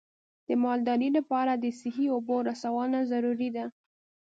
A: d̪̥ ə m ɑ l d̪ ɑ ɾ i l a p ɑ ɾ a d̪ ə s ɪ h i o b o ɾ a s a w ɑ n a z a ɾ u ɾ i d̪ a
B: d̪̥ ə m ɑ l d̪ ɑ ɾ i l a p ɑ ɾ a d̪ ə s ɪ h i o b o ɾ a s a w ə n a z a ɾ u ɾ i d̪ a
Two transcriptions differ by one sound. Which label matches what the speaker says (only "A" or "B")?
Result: A